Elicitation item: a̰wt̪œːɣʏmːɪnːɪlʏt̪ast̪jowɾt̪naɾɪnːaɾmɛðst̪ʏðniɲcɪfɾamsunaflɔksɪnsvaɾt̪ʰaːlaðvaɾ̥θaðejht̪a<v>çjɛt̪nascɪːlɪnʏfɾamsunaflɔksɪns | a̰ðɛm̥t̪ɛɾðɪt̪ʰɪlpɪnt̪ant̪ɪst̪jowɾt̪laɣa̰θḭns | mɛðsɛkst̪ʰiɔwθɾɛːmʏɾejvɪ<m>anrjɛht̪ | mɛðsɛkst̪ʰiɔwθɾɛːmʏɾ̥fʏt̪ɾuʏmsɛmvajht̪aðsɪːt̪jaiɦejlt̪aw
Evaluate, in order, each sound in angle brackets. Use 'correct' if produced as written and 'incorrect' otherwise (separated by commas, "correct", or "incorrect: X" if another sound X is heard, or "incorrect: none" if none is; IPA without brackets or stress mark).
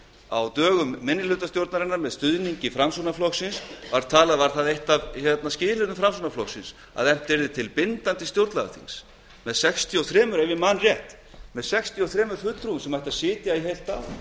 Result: correct, correct